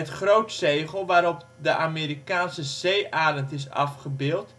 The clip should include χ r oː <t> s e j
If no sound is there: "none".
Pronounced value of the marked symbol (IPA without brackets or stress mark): t